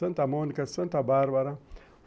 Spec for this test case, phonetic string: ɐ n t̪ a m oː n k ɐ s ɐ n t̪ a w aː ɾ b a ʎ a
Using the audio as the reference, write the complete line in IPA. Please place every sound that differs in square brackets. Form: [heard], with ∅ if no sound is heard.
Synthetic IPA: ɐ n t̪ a m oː n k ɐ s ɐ n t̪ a [b] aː ɾ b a [ɾ] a